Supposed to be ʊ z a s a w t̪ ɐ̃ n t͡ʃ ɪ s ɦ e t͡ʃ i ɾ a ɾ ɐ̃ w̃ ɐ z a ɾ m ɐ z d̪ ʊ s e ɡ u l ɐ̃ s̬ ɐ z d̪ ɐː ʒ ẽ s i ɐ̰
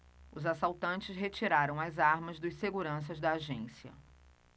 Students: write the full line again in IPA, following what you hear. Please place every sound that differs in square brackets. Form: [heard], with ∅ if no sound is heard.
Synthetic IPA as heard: ʊ z a s a w t̪ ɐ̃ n t͡ʃ ɪ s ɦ e t͡ʃ i ɾ a ɾ ɐ̃ w̃ ɐ z a ɾ m ɐ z d̪ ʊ s e ɡ u [ɾ] ɐ̃ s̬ ɐ z d̪ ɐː ʒ ẽ s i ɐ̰